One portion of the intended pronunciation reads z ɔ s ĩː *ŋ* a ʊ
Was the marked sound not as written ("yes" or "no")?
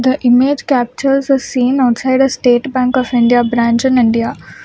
yes